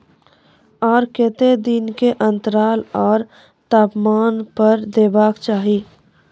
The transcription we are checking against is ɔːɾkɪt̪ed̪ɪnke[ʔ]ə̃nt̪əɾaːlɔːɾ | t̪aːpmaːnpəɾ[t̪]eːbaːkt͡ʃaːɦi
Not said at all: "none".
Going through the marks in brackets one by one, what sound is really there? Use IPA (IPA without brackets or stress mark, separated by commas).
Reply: ʔ, d̪